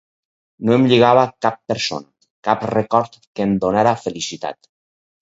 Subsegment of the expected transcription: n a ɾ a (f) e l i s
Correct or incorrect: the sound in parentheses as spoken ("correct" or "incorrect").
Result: correct